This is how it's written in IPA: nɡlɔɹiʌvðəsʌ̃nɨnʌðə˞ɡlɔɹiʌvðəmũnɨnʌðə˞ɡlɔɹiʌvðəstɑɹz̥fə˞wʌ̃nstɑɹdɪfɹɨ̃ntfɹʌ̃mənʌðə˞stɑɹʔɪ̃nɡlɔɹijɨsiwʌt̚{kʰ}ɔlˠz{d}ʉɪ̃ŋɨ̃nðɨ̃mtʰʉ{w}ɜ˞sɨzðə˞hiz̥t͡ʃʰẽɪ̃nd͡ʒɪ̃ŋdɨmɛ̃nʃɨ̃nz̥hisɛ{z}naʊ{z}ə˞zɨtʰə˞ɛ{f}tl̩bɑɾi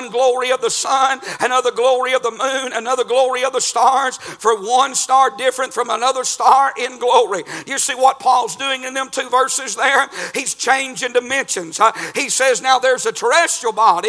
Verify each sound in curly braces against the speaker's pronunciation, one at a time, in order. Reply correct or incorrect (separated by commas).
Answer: incorrect, correct, incorrect, correct, incorrect, incorrect